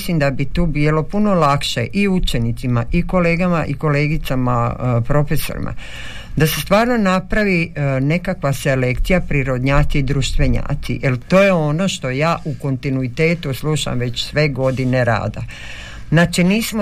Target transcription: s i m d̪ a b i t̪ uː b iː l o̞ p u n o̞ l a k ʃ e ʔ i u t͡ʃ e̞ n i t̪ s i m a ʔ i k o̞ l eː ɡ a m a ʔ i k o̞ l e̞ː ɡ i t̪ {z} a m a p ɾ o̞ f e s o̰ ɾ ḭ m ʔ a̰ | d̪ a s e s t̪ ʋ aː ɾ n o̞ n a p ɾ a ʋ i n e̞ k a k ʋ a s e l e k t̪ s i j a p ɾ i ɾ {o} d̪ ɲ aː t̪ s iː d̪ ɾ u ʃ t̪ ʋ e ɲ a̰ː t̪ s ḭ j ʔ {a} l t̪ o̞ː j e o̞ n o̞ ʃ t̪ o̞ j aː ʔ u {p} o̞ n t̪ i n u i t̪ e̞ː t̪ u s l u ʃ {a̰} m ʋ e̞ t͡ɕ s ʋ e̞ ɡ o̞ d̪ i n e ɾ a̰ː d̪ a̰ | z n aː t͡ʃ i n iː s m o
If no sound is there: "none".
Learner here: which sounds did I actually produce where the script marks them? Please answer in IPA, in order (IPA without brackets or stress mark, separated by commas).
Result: s, o, e, k, a̰